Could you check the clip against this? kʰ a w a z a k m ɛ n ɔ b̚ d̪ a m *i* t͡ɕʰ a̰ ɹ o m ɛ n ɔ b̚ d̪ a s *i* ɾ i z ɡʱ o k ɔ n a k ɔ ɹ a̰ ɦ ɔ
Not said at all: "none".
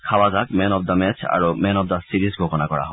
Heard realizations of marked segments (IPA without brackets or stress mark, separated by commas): ɛ, i